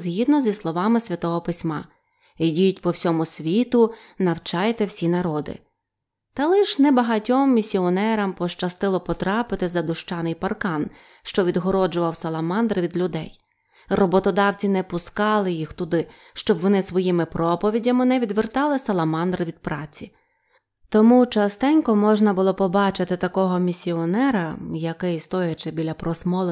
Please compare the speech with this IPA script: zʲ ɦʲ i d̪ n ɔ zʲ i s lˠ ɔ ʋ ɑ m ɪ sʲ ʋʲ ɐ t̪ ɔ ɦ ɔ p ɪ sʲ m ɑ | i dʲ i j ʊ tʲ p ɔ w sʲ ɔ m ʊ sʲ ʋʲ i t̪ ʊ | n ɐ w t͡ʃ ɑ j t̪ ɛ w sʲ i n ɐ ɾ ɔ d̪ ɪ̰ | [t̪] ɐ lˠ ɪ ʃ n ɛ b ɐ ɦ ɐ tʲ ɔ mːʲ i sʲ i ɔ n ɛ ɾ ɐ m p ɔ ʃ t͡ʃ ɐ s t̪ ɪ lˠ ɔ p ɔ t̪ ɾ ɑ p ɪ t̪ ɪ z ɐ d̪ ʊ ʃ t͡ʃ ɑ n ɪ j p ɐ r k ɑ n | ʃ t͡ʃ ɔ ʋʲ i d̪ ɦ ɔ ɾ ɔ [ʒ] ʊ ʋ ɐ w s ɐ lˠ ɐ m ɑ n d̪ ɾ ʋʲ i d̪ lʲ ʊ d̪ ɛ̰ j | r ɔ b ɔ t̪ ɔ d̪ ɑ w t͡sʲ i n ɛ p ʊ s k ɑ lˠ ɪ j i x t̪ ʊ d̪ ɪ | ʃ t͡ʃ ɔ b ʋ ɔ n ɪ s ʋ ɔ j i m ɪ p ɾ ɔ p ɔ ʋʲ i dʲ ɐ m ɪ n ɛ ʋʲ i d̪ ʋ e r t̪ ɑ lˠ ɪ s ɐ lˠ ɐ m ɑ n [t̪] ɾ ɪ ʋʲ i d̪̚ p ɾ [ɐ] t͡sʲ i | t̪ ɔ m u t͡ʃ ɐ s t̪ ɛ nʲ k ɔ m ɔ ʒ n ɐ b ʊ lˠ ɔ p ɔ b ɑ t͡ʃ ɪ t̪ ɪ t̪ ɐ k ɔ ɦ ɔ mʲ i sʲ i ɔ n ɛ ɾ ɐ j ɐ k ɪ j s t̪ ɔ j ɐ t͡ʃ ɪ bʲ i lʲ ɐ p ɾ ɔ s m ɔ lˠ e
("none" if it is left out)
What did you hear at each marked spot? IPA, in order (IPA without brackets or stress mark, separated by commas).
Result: t̪, d͡ʒ, d̪, ɑ